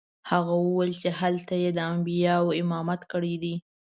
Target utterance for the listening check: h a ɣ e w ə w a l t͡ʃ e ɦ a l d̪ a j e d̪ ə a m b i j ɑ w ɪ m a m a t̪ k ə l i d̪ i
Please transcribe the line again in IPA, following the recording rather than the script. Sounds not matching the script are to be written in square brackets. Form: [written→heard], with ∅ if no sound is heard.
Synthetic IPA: h a ɣ [e→a] w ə w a l t͡ʃ e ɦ a l [d̪→t̪] a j e d̪ ə a m b i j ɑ w ɪ m [a→ɑ] m a t̪ k ə [l→ɽ] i d̪ i